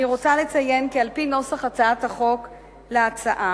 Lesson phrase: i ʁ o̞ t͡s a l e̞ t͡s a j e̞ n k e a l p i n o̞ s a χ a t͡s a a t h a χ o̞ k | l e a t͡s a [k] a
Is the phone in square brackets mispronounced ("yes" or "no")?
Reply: yes